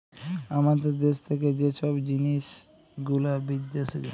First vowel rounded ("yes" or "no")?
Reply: no